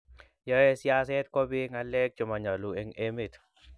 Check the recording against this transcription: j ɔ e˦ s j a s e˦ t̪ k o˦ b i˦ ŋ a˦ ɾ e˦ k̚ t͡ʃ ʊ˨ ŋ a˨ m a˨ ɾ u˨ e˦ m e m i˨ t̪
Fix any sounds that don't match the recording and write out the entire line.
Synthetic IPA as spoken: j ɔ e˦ s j a s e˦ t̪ k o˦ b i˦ ŋ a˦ l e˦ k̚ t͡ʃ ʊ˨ m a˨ ɲ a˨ l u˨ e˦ ŋ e m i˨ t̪